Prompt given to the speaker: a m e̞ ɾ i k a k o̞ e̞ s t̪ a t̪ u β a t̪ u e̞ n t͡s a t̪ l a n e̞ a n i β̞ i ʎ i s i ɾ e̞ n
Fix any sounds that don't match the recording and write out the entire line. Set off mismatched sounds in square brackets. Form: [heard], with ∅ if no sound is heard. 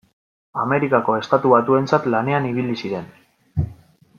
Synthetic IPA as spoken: a m e̞ ɾ i k a k o̞ e̞ s t̪ a t̪ u β a t̪ u e̞ n t͡s a t̪ l a n e̞ a n i β̞ i [l] i s i ɾ e̞ n

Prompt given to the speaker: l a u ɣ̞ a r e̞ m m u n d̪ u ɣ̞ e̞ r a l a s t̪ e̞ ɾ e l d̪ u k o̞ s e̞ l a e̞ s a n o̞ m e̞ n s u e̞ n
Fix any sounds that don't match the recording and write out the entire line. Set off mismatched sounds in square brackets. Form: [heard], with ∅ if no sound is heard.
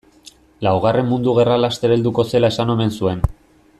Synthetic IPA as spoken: l a [w] ɣ̞ a r e̞ m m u n d̪ u ɣ̞ e̞ r a l a s t̪ e̞ ɾ e l d̪ u k o̞ s e̞ l a e̞ s a n o̞ m e̞ n s u e̞ n

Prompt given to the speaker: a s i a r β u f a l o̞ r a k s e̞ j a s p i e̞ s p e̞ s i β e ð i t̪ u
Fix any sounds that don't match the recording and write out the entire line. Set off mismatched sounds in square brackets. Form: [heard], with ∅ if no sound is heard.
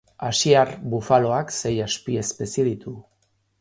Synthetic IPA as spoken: a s i a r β u f a l o̞ [∅] a k s e̞ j a s p i e̞ s p e̞ s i [∅] e ð i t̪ u

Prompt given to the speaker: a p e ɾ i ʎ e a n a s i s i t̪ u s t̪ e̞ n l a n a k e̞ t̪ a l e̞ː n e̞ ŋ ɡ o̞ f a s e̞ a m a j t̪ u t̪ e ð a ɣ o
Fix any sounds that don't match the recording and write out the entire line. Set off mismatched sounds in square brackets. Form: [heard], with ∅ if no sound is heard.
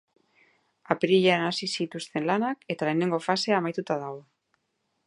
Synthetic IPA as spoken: a p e ɾ i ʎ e a n a s i s i t̪ u s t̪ e̞ n l a n a k e̞ t̪ a l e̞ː n e̞ ŋ ɡ o̞ f a s e̞ a m a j t̪ u t̪ [a] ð a ɣ o

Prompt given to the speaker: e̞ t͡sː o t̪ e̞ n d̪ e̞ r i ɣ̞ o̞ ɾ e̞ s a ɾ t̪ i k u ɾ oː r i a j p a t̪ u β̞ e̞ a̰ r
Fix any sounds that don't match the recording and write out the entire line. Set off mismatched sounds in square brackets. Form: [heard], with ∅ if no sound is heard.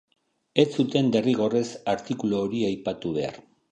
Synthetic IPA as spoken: e̞ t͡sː [u] t̪ e̞ n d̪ e̞ r i ɣ̞ o̞ [r] e̞ s a ɾ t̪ i k u [l] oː [ɾ] i a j p a t̪ u β̞ e̞ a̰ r

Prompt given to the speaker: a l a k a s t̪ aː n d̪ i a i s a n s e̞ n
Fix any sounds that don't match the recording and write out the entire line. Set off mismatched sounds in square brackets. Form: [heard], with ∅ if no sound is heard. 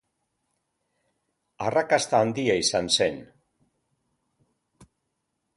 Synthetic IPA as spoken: a [r] a k a s t̪ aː n d̪ i a i s a n s e̞ n

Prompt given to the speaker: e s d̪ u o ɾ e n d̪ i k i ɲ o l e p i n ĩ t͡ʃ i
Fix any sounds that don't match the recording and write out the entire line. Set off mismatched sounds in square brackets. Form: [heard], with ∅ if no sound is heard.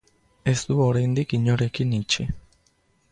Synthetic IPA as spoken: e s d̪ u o ɾ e n d̪ i k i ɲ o [ɾ] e [k] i n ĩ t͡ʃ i

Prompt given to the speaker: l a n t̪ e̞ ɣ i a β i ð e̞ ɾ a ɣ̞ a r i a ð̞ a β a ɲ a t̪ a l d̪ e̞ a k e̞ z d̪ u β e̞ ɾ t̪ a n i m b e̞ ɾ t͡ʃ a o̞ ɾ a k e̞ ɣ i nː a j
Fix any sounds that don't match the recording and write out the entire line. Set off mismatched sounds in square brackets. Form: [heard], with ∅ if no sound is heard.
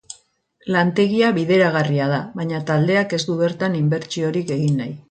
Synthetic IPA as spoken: l a n t̪ e̞ ɣ i a β i ð e̞ ɾ a ɣ̞ a r i a ð̞ a β a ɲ a t̪ a l d̪ e̞ a k e̞ z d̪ u β e̞ ɾ t̪ a n i m b e̞ ɾ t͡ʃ [i] o̞ ɾ [i] k e̞ ɣ i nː a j

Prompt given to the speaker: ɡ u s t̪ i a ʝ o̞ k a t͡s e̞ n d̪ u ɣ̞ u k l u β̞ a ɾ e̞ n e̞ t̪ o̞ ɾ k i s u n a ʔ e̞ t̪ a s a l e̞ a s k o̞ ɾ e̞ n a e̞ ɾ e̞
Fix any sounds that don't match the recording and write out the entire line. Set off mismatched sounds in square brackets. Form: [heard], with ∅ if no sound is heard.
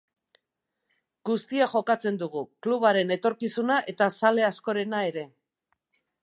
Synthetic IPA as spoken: ɡ u s t̪ i a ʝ o̞ k a t͡s e̞ n d̪ u ɣ̞ u k l u β̞ a ɾ e̞ n e̞ t̪ o̞ ɾ k i s u n a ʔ e̞ t̪ a s a l e̞ a s k o̞ ɾ e̞ n a e̞ ɾ e̞

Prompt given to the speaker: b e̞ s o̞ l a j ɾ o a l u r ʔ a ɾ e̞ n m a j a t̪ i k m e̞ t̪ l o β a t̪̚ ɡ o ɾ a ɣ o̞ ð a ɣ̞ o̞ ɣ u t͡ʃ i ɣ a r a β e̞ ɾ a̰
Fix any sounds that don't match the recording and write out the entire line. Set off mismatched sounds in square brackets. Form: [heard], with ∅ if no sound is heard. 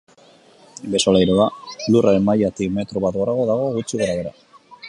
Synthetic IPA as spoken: b e̞ s o̞ l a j ɾ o a l u r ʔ a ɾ e̞ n m a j a t̪ i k m e̞ t̪ [ɾ] o β a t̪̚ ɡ o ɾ a ɣ o̞ ð a ɣ̞ o̞ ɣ u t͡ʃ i ɣ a [ɾ] a β e̞ ɾ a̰

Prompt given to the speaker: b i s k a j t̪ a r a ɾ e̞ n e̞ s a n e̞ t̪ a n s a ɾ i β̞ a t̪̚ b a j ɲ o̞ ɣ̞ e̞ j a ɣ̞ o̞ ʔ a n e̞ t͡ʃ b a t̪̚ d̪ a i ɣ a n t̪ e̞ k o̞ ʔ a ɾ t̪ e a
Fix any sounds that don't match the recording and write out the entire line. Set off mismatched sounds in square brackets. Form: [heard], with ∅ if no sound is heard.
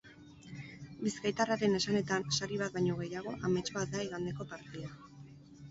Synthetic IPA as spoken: b i s k a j t̪ a r a ɾ e̞ n e̞ s a n e̞ t̪ a n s a ɾ i β̞ a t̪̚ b a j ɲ o̞ ɣ̞ e̞ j a ɣ̞ o̞ ʔ a [m] e̞ t͡ʃ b a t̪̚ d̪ a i ɣ a n [d̪] e̞ k o̞ [p] a ɾ t̪ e a

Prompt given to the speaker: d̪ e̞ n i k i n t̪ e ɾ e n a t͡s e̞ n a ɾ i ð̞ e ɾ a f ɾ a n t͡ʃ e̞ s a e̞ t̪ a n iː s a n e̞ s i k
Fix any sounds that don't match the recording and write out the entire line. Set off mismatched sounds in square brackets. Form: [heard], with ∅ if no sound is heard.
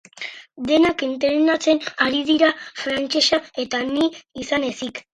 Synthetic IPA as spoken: d̪ e̞ n [a] k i n t̪ e ɾ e n a t͡s e̞ n a ɾ i ð̞ [i] ɾ a f ɾ a n t͡ʃ e̞ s a e̞ t̪ a n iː s a n e̞ s i k

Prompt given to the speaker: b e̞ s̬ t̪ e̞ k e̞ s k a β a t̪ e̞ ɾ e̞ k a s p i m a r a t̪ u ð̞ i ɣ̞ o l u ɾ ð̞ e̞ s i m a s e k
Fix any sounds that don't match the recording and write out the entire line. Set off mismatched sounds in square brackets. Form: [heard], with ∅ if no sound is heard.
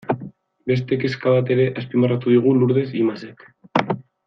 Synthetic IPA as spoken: b e̞ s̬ t̪ e̞ k e̞ s k a β a t̪ e̞ ɾ e̞ [ʔ] a s p i m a r a t̪ u ð̞ i ɣ̞ [u] l u ɾ ð̞ e̞ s i m a s e k

